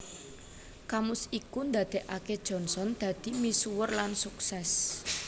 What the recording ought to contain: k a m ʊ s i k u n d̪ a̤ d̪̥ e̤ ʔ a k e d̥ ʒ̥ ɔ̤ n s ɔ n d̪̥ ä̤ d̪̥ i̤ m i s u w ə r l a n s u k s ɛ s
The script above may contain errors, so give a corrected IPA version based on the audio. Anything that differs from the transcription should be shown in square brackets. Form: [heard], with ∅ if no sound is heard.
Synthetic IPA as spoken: k a m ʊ s i k u n d̪ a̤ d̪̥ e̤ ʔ a k e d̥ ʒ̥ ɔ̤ n s ɔ n d̪̥ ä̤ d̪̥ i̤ m i s u w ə r l a n s u k s ɛ s